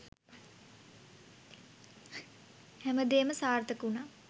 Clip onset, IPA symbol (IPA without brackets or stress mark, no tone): h